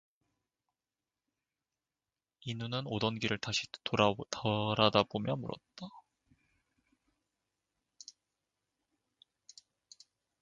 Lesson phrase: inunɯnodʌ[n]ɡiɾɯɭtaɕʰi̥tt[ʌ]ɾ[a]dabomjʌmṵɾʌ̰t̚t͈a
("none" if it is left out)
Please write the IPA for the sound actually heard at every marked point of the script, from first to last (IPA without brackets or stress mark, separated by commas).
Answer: n, ʌ, a